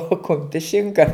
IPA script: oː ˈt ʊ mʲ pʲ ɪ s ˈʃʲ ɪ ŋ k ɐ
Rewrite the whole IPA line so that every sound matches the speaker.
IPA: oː ˈk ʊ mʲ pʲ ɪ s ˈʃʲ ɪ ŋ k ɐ